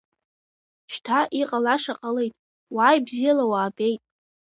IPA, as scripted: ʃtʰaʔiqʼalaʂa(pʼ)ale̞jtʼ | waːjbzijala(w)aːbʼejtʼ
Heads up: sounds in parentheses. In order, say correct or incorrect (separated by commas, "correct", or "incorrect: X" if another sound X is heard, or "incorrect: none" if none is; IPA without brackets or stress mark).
incorrect: qʼ, correct